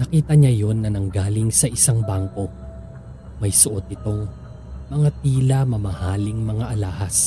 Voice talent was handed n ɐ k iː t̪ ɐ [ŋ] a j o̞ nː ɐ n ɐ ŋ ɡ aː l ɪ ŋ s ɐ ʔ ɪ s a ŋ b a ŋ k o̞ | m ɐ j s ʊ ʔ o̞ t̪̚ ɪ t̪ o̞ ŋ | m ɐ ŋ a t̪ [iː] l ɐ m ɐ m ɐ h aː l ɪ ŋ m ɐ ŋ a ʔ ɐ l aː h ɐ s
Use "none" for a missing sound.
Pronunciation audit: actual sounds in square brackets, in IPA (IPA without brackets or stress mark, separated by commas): ɲ, iː